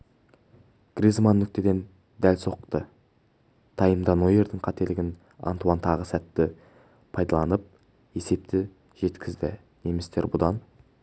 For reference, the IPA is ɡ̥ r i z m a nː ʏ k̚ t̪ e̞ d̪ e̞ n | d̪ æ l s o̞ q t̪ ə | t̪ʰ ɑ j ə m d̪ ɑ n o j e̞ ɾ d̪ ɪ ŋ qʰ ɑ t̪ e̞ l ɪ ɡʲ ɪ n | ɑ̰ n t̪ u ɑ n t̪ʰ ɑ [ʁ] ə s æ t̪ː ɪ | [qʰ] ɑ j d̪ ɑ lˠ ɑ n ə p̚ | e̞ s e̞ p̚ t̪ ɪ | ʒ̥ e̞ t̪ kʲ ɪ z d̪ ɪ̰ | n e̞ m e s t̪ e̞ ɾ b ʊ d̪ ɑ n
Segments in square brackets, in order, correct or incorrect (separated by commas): correct, incorrect